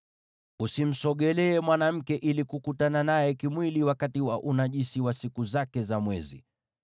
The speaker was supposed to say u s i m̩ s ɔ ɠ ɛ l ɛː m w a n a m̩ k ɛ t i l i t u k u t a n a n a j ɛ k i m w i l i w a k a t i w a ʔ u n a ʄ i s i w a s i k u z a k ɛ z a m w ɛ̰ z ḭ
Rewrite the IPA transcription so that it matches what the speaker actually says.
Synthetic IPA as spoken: u s i m̩ s ɔ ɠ ɛ l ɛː m w a n a m̩ k ɛ ʔ i l i k u k u t a n a n a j ɛ k i m w i l i w a k a t i w a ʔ u n a ʄ i s i w a s i k u z a k ɛ z a m w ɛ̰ z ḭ

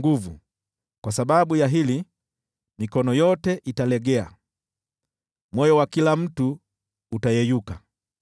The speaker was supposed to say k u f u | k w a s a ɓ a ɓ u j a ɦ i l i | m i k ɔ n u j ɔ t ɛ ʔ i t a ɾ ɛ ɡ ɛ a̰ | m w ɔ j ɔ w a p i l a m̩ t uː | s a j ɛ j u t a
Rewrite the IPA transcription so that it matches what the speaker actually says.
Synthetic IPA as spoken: ɡ u v u | k w a s a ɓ a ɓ u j a ɦ i l i | m i k ɔ n ɔ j ɔ t ɛ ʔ i t a l ɛ ɡ ɛ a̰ | m w ɔ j ɔ w a k i l a m̩ t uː | t a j ɛ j u k a

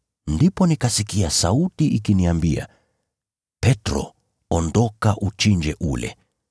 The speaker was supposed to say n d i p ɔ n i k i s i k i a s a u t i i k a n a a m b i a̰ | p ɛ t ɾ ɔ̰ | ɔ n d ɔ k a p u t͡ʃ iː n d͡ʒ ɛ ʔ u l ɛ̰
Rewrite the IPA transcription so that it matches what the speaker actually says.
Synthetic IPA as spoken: n d i p ɔ n i k a s i k i a s a u t i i k i n i a m b i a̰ | p ɛ t ɾ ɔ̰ | ɔ n d ɔ k a ʔ u t͡ʃ i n d͡ʒ ɛ ʔ u l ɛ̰

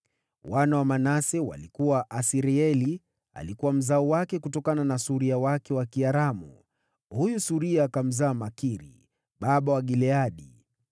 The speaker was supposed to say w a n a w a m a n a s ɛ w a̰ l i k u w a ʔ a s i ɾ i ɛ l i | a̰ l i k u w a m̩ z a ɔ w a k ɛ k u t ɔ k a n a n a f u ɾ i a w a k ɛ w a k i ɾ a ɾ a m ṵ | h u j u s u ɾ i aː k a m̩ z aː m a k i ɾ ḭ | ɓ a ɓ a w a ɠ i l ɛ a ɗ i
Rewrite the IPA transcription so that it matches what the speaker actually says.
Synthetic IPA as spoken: w a n a w a m a n a s ɛ w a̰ l i k u w a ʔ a s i ɾ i ɛ l i | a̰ l i k u w a m̩ z a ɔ w a k ɛ k u t ɔ k a n a n a s u ɾ i a w a k ɛ w a k i a ɾ a m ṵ | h u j u s u ɾ i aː k a m̩ z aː m a k i ɾ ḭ | ɓ a ɓ a w a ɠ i l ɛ a ɗ i

